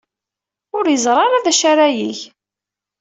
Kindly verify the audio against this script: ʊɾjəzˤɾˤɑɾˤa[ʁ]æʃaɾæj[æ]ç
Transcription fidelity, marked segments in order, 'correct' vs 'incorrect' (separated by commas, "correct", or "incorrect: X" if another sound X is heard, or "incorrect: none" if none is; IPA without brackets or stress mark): incorrect: ð, incorrect: i